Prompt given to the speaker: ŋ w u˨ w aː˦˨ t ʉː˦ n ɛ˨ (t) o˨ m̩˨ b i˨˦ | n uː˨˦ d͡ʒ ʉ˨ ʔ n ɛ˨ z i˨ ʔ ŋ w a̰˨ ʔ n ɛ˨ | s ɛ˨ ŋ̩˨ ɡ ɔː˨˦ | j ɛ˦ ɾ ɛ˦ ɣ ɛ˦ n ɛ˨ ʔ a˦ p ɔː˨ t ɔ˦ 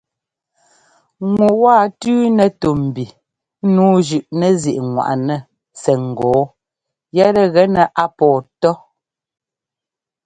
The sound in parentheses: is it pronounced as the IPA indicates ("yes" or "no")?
yes